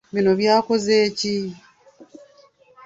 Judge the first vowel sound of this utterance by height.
high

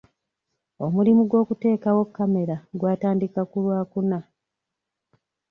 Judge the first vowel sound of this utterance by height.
mid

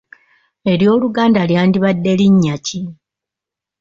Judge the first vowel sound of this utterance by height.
mid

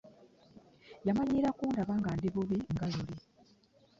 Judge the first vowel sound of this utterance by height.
low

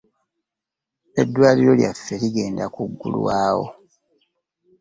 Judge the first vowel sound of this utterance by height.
mid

